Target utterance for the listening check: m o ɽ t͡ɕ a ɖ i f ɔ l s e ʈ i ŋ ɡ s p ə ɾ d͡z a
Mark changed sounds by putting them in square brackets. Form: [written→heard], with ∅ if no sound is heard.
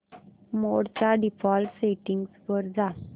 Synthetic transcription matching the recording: m o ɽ t͡ɕ a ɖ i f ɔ l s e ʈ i ŋ ɡ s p ə ɾ d͡z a